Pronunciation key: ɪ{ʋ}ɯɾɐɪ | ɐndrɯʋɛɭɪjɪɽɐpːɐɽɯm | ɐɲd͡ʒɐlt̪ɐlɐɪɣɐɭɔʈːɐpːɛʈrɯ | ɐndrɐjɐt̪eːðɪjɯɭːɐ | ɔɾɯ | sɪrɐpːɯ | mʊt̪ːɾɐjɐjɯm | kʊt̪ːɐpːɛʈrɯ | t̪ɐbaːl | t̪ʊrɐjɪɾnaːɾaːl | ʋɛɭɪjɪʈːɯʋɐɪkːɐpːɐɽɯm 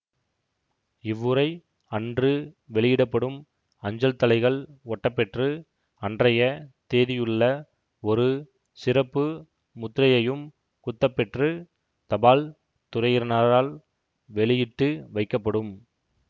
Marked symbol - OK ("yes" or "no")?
no